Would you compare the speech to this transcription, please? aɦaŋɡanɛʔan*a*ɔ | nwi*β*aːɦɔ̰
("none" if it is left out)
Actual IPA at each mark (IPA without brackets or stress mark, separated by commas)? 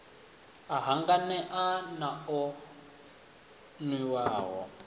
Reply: a, w